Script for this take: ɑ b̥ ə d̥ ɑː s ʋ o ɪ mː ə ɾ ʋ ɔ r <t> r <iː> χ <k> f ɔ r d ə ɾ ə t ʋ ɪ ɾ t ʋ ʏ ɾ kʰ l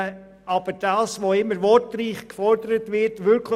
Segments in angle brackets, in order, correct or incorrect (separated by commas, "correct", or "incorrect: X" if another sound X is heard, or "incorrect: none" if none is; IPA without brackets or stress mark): correct, correct, correct